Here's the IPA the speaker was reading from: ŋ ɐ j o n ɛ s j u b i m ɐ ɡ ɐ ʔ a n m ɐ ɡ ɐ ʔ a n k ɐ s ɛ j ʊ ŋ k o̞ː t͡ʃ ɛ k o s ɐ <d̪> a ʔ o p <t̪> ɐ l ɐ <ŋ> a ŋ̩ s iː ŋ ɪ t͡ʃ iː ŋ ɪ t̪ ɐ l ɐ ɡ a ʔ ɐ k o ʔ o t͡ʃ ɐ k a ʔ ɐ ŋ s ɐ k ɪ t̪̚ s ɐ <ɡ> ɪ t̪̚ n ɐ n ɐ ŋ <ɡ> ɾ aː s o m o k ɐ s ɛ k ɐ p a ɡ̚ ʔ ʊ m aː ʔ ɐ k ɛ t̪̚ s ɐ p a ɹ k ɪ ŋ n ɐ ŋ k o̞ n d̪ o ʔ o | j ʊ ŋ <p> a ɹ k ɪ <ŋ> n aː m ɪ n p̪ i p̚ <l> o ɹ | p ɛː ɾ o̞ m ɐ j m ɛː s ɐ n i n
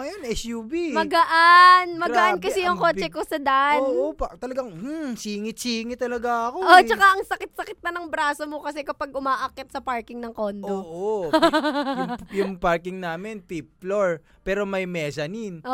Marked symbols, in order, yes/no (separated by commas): yes, yes, no, no, no, yes, yes, yes